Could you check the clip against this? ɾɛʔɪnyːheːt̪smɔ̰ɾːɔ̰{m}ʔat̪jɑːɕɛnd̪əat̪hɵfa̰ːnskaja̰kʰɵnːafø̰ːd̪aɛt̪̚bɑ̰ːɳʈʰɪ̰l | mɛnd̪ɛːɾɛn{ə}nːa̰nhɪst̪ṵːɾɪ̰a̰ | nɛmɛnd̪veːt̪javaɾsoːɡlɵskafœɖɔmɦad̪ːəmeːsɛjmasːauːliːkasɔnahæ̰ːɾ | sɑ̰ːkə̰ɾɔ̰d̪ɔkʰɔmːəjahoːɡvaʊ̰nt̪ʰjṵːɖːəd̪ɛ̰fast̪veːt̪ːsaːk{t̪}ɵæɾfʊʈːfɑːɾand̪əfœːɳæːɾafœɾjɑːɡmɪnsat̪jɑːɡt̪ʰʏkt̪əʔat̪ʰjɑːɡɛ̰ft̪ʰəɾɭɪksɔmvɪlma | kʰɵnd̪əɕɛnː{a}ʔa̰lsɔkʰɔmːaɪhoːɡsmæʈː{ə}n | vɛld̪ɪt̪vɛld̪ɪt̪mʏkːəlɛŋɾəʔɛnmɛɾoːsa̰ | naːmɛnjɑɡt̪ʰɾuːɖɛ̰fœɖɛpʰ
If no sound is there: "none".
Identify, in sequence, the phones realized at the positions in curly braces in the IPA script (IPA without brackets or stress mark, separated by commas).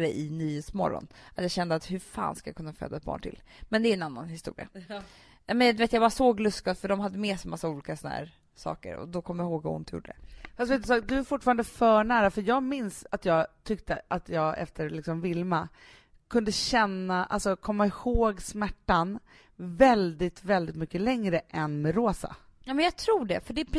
n, a, d̪, a, a